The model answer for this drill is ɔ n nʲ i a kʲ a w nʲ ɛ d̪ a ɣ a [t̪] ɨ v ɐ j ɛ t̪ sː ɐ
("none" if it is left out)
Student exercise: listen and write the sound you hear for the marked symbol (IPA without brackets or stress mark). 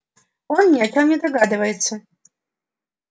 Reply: d̪